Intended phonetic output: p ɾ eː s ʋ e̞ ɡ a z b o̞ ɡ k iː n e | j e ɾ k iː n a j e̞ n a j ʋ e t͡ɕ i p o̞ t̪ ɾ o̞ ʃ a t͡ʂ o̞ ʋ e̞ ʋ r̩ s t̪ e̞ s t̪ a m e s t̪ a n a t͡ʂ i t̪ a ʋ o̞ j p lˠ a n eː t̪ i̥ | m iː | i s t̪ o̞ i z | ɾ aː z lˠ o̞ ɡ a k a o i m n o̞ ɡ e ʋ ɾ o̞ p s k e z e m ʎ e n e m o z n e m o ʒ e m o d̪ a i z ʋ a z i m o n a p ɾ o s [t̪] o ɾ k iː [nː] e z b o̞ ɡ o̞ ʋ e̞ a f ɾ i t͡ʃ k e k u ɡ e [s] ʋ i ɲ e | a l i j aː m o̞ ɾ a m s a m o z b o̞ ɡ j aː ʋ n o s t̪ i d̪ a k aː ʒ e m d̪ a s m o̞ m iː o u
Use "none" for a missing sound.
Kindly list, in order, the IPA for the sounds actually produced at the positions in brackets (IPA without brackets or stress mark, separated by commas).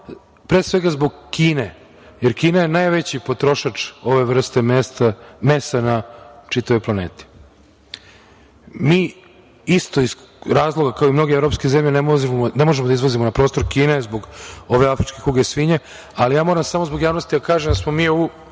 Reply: t̪, n, s